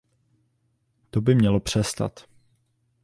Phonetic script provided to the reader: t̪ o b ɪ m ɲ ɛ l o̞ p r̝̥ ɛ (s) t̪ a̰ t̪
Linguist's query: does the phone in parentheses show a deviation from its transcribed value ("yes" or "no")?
no